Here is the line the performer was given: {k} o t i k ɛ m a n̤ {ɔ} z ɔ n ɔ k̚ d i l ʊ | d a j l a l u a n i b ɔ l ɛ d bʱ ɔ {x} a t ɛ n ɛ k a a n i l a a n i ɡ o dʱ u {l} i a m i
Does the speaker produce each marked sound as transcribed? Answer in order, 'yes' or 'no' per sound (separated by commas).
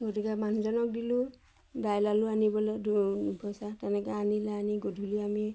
no, no, no, yes